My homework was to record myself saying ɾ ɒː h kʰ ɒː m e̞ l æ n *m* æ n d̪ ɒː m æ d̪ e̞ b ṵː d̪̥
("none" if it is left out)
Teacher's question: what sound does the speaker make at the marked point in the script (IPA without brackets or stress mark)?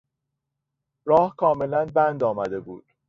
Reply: b